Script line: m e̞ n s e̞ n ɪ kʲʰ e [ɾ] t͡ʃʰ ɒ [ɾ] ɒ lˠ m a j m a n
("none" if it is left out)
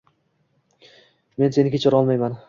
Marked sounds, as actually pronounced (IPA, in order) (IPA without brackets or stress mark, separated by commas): none, ɾ